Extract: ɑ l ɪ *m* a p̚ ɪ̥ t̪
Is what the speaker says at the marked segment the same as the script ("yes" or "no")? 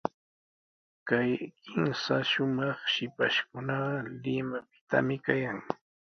yes